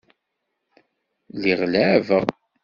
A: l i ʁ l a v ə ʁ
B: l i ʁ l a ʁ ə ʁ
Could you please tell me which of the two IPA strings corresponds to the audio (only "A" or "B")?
A